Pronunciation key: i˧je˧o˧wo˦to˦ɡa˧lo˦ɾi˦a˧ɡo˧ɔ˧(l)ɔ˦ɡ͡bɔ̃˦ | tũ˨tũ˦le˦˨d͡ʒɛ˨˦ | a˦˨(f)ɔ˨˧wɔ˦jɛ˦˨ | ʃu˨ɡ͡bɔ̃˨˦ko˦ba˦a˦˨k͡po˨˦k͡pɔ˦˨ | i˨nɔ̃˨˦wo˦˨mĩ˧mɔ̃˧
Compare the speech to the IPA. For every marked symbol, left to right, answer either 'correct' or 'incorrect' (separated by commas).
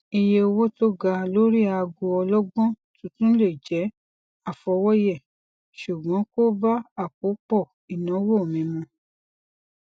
correct, correct